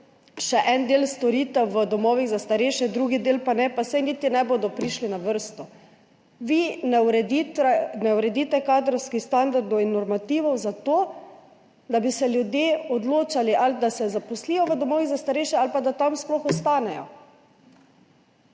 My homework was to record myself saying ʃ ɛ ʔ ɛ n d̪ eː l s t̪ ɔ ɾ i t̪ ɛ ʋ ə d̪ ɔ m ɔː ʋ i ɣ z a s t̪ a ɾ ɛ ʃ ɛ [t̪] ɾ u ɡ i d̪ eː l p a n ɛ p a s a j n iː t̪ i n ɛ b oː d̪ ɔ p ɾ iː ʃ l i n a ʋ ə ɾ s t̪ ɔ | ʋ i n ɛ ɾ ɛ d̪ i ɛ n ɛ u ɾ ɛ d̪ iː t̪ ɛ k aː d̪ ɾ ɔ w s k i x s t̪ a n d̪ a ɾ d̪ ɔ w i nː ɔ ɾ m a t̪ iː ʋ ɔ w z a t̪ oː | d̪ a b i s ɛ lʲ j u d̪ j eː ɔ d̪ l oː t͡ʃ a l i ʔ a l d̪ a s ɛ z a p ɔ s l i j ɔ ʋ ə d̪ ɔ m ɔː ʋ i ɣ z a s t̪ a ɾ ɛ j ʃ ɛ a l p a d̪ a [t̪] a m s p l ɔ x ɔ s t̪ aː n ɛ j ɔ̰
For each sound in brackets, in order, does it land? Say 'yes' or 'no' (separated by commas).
no, yes